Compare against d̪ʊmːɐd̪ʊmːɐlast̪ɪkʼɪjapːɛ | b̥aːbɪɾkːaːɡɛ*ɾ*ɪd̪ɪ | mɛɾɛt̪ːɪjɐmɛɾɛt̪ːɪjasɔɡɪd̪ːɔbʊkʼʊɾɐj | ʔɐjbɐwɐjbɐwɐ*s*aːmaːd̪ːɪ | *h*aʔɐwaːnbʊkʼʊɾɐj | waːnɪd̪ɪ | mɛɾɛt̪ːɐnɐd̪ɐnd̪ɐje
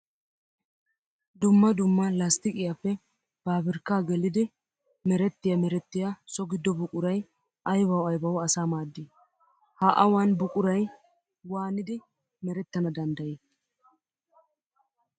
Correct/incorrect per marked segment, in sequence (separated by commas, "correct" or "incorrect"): incorrect, correct, correct